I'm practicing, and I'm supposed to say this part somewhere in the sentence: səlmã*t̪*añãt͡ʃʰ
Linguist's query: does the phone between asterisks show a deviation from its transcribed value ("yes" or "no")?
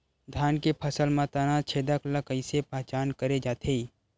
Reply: no